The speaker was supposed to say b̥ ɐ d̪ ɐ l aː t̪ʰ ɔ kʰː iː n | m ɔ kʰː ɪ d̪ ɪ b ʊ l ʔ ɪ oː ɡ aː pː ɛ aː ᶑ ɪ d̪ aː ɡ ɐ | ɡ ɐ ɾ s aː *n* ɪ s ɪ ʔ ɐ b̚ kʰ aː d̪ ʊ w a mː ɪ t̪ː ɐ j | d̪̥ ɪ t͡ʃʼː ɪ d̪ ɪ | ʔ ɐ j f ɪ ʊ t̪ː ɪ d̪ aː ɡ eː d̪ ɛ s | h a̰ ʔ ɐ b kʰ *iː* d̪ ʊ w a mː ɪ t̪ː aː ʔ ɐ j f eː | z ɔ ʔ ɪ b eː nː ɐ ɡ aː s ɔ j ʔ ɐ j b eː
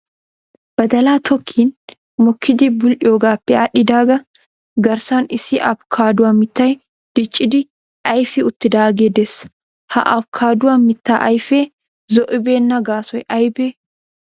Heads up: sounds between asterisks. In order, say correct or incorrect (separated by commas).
correct, incorrect